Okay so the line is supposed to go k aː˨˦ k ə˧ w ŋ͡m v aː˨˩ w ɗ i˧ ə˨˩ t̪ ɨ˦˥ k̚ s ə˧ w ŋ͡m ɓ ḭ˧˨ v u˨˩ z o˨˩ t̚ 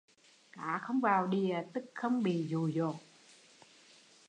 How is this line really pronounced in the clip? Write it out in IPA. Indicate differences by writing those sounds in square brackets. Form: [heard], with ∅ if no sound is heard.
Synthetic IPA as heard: k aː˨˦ [x] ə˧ w ŋ͡m v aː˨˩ w ɗ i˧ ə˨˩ t̪ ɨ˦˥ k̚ [x] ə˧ w ŋ͡m ɓ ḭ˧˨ [z] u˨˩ z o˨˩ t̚